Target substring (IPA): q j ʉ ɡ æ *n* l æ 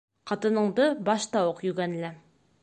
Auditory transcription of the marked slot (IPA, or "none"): n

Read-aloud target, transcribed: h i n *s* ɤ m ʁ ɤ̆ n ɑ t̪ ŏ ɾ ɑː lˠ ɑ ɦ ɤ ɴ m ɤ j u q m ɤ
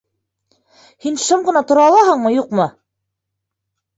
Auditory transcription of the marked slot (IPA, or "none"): ʃ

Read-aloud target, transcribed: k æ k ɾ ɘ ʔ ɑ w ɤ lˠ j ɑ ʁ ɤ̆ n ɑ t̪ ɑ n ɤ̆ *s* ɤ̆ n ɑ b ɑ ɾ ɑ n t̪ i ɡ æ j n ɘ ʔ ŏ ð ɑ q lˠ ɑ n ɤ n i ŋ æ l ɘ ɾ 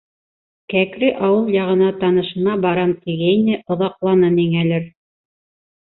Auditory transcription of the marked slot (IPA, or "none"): ʃ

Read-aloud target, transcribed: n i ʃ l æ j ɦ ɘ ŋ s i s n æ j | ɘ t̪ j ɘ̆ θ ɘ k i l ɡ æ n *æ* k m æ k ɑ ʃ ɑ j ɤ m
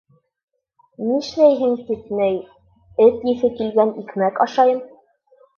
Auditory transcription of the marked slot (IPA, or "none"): i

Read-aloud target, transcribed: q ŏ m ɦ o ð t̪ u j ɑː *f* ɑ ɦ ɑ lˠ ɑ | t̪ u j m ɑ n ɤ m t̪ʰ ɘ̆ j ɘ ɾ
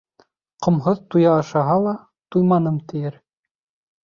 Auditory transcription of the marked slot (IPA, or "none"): ʃ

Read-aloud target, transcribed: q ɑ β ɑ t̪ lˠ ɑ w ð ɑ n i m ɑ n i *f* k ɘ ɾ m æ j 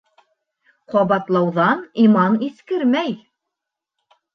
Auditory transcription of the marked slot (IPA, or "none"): θ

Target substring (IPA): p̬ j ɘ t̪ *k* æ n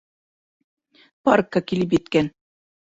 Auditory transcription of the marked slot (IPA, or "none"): k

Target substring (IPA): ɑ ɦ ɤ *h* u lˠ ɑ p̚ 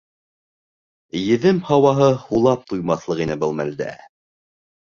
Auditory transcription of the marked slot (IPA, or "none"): h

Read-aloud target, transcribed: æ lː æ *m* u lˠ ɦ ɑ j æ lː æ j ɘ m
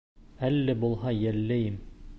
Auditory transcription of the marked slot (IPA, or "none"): b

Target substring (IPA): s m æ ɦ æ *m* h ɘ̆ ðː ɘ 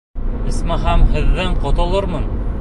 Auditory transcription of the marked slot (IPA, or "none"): m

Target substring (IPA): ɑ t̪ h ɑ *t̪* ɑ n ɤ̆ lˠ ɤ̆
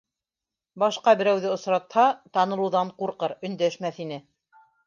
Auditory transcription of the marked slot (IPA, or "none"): t̪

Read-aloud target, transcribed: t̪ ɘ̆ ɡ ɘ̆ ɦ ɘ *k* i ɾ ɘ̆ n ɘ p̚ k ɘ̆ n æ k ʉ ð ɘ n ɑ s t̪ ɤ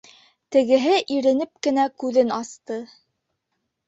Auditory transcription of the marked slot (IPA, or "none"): ʔ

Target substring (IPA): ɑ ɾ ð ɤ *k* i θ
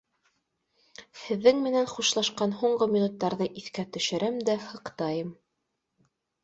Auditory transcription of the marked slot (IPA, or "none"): ʔ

